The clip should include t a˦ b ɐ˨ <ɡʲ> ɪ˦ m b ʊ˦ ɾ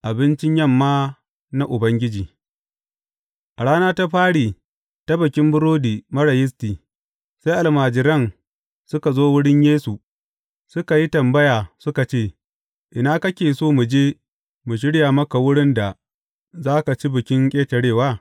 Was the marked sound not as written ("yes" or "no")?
yes